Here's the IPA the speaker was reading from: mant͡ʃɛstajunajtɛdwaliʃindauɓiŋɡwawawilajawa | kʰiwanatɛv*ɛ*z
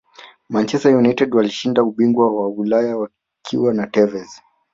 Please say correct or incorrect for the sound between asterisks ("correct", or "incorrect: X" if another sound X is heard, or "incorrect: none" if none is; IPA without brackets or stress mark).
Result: correct